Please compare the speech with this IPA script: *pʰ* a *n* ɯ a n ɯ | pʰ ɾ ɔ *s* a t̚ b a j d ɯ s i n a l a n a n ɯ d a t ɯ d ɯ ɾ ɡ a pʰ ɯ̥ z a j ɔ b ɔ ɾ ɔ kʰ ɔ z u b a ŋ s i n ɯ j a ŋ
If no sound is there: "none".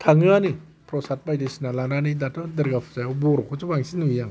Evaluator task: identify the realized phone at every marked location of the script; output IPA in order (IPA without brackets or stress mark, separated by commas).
tʰ, ŋ, s